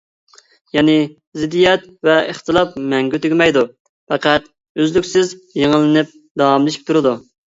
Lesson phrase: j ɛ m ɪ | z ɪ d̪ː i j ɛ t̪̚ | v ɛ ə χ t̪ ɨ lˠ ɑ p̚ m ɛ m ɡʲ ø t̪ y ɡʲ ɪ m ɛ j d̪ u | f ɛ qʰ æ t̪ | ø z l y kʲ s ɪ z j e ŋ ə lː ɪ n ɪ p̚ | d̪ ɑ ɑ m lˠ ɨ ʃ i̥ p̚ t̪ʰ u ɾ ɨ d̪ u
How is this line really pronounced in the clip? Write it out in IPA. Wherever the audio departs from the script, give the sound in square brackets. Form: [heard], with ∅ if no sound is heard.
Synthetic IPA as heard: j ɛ [n] ɪ | z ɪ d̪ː i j ɛ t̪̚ | v ɛ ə χ t̪ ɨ lˠ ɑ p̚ m ɛ [ŋ] ɡʲ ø t̪ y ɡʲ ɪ m ɛ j d̪ u | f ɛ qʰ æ t̪ | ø z l y kʲ s ɪ z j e ŋ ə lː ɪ n ɪ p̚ | d̪ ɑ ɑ m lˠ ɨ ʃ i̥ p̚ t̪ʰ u ɾ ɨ d̪ u